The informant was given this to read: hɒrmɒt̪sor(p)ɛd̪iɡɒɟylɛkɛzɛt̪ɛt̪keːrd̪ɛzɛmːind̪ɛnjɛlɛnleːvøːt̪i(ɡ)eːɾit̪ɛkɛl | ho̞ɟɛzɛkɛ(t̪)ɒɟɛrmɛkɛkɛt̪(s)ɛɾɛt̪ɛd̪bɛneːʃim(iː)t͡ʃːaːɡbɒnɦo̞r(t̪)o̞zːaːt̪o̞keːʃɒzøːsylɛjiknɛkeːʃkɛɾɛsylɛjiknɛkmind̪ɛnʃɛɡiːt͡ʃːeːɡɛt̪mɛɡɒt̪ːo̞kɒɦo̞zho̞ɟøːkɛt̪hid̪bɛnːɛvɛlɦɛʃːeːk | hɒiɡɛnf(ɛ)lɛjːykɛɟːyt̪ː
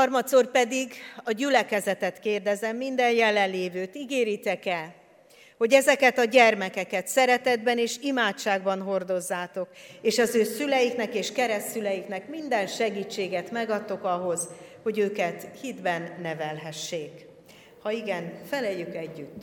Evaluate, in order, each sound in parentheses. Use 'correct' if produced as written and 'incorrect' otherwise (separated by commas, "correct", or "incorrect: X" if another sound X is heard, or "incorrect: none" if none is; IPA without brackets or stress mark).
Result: correct, correct, correct, correct, incorrect: aː, incorrect: d̪, correct